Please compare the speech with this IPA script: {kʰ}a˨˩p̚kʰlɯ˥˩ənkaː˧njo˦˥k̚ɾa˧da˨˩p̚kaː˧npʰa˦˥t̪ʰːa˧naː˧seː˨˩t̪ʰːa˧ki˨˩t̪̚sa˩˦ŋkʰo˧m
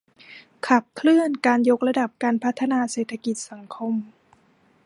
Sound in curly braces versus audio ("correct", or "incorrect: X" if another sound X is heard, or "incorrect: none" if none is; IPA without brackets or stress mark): correct